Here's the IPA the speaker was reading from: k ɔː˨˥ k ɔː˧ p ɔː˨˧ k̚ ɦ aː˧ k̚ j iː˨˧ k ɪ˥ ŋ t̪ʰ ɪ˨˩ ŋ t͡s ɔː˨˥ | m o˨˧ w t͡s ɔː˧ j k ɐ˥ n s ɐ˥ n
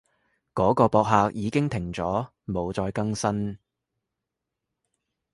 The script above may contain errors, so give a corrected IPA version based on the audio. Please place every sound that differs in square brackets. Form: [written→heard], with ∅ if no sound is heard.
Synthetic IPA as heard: k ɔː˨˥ k ɔː˧ p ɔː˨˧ k̚ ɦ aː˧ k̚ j iː˨˧ k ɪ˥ ŋ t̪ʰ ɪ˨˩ ŋ t͡s ɔː˨˥ | m o˨˧ w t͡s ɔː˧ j k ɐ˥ [n→ŋ] s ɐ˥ n